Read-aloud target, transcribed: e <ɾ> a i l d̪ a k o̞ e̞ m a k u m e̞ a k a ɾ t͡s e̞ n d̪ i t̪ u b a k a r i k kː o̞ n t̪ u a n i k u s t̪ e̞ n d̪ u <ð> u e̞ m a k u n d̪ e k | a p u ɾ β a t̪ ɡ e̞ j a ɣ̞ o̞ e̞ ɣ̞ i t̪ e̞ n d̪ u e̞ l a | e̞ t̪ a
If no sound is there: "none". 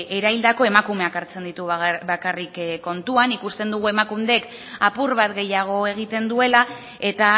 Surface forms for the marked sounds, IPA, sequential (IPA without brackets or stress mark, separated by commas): ɾ, ɣ